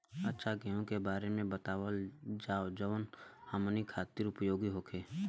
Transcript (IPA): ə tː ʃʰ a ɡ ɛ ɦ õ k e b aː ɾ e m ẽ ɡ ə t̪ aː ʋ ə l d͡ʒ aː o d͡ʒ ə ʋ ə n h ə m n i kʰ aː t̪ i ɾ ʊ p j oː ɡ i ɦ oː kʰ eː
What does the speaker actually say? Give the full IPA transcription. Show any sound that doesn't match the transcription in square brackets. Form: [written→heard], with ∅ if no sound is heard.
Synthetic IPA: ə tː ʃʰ a ɡ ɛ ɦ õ k e b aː ɾ e m ẽ [ɡ→b] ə t̪ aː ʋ ə l d͡ʒ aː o d͡ʒ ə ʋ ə n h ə m n i kʰ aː t̪ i ɾ ʊ p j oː ɡ i ɦ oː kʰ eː